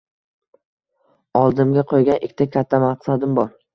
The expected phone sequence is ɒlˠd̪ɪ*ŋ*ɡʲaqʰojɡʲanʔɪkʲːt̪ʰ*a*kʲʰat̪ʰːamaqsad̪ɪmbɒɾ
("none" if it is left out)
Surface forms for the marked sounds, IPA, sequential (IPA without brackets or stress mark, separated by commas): m, a